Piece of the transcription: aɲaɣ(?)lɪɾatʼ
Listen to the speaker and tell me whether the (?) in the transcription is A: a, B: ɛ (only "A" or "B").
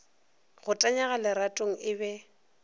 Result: A